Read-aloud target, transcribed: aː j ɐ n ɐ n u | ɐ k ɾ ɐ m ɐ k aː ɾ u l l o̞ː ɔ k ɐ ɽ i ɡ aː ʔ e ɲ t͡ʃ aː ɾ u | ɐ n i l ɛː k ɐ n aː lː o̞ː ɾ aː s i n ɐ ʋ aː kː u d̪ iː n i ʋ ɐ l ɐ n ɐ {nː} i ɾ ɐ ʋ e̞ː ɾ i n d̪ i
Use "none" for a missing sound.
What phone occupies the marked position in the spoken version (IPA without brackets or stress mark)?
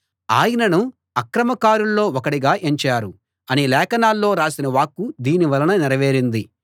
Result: n